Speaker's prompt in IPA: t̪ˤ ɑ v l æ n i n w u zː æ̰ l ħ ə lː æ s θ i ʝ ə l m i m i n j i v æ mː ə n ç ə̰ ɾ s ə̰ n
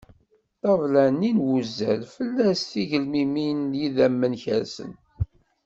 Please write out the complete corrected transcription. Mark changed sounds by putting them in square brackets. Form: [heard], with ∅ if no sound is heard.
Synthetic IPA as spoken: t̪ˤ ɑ v l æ n i n w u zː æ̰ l [f] ə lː æ s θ i ʝ ə l m i m i n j i [ð] æ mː ə n ç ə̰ ɾ s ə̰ n